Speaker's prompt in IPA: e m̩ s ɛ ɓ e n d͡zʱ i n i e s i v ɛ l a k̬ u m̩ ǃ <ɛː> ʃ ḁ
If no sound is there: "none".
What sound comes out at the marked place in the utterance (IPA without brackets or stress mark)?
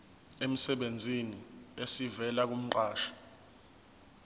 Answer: aː